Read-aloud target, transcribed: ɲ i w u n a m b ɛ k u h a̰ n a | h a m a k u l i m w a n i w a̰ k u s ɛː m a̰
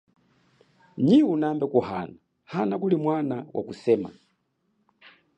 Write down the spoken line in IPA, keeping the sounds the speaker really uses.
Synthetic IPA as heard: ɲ i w u n a m b ɛ k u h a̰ n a | h a n a k u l i m w a n a w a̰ k u s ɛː m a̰